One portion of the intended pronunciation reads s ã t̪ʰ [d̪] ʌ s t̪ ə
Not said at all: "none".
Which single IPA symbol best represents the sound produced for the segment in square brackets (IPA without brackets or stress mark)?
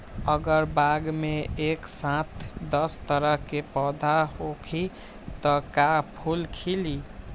d̪